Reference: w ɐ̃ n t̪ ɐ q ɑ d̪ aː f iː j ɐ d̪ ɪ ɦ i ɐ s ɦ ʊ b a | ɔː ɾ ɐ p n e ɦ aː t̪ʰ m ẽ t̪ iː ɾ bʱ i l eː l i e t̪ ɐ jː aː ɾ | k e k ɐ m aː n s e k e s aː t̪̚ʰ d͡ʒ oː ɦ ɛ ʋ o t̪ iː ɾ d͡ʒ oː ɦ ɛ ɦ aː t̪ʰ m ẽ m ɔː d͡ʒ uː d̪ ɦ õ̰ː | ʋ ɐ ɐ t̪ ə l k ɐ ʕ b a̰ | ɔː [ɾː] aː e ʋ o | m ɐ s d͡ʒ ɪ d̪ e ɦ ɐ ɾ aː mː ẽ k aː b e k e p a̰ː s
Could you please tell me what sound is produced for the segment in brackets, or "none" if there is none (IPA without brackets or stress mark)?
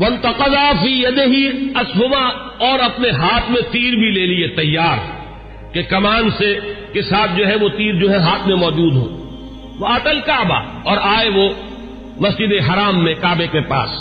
ɾ